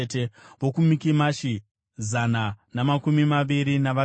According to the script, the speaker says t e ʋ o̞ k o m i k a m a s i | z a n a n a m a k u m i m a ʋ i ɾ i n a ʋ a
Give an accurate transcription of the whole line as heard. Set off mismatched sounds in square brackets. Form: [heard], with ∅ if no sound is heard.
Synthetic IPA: t e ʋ o̞ k [u] m i k [i] m a [ʃ] i | z a n a n a m a k u m i m a ʋ i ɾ i n a ʋ a